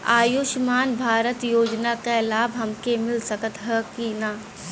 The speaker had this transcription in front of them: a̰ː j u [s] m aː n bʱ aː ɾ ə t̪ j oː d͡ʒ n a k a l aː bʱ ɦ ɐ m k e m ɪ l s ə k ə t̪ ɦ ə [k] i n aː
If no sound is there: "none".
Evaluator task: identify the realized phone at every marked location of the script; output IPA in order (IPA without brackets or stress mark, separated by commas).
ʃ, k